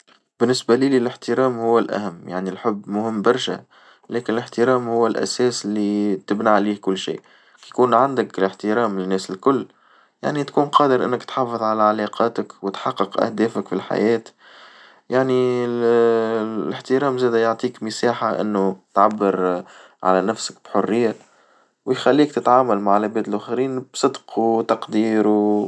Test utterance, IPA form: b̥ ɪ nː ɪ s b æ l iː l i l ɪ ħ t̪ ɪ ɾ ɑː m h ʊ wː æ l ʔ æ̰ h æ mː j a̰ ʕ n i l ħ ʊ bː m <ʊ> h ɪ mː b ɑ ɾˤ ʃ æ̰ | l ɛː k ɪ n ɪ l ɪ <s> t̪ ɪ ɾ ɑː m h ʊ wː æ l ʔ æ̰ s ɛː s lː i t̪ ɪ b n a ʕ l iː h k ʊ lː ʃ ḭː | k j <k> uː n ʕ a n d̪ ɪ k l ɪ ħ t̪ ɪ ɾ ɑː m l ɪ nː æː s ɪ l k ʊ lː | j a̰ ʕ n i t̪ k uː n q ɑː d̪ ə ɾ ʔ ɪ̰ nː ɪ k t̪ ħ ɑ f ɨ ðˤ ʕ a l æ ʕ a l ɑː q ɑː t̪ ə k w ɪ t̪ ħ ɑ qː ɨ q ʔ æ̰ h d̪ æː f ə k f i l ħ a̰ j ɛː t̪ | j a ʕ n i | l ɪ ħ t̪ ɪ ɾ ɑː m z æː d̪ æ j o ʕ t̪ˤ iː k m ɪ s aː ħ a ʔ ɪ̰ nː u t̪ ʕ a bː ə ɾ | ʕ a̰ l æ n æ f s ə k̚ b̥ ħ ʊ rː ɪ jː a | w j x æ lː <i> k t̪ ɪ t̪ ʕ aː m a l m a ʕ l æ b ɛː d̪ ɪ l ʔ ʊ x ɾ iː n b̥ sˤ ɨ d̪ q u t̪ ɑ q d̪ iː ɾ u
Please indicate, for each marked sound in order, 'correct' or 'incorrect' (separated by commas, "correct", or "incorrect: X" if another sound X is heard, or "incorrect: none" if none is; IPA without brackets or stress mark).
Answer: correct, incorrect: ħ, correct, incorrect: iː